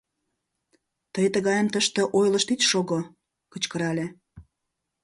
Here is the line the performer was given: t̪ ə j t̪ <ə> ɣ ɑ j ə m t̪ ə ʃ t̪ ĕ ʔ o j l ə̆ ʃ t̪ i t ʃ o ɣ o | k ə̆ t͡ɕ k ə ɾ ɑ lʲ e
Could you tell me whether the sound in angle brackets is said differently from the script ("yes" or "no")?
no